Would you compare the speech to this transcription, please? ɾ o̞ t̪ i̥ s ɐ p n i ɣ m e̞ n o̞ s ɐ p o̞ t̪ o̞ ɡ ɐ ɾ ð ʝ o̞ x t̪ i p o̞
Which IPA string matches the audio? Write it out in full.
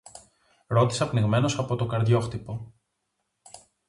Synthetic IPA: ɾ o̞ t̪ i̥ s ɐ p n i ɣ m e̞ n o̞ s ɐ p o̞ t̪ o̞ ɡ ɐ ɾ ð ʝ o̞ x t̪ i p o̞